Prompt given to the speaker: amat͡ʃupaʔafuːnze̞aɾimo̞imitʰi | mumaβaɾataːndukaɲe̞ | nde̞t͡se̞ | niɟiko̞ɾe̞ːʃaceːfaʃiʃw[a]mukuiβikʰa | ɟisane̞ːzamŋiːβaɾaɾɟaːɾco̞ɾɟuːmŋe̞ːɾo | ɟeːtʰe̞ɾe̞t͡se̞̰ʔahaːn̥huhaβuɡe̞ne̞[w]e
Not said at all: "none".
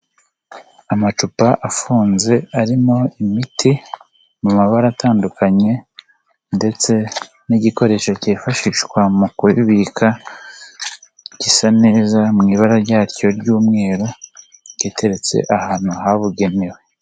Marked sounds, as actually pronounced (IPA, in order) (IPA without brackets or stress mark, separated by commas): a, w